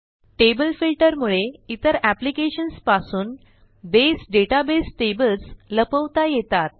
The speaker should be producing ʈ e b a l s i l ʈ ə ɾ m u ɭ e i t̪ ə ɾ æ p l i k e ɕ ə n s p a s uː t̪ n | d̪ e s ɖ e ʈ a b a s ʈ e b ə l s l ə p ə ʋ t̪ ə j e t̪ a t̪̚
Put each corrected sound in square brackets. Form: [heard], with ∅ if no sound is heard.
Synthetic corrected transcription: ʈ e b [ə] l [f] i l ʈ ə ɾ m u ɭ e i t̪ ə ɾ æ p l i k e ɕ ə n s p a s uː [∅] n | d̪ e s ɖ e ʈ a b [e] s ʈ e b ə l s l ə p ə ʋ t̪ [a] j e t̪ a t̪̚